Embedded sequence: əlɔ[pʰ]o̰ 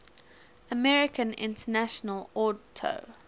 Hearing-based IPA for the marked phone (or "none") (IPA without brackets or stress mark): tʰ